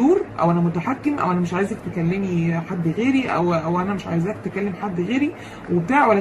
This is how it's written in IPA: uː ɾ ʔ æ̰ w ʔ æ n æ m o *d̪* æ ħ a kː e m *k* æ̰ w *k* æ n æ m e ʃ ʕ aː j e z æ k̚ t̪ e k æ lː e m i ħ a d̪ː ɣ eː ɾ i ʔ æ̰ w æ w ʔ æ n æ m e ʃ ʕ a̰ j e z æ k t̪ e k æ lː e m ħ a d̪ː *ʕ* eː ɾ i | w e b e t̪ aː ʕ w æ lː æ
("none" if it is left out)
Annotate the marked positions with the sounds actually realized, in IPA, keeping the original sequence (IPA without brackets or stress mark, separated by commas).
t̪, ʔ, ʔ, ɣ